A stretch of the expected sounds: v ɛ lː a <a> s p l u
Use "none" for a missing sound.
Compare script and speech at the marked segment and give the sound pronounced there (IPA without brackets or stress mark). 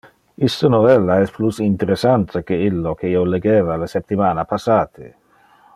ɛ